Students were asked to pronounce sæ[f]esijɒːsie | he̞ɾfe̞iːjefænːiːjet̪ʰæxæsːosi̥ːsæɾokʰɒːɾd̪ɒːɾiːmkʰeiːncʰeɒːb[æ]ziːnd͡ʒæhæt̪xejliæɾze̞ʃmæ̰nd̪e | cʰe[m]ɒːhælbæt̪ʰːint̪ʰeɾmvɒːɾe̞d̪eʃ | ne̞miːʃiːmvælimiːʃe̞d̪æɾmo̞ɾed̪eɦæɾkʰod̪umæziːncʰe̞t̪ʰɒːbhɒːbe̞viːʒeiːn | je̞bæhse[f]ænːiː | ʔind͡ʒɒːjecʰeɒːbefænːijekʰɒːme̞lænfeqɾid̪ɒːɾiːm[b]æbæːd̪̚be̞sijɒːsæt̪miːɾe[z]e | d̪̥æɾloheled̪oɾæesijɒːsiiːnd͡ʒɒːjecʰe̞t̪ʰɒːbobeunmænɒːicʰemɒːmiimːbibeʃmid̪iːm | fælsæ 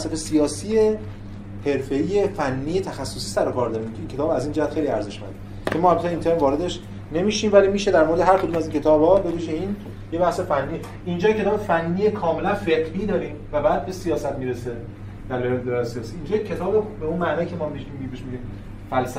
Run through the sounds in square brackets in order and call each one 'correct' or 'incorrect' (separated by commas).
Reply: correct, correct, correct, correct, incorrect, incorrect